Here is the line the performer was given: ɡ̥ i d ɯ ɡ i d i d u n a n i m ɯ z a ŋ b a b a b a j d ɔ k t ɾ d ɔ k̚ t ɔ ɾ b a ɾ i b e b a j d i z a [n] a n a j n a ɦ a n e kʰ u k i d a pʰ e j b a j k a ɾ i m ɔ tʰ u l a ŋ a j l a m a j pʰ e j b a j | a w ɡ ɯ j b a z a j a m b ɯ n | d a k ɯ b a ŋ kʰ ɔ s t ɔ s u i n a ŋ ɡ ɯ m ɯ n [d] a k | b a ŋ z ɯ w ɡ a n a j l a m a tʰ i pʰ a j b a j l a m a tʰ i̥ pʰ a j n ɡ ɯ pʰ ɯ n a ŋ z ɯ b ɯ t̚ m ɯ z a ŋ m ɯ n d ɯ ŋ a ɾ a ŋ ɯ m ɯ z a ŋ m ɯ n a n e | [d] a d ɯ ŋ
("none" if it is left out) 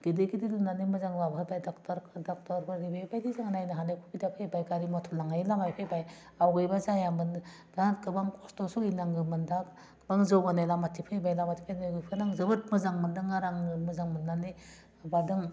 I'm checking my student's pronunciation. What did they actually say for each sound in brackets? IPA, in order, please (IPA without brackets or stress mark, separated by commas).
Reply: ŋ, d, b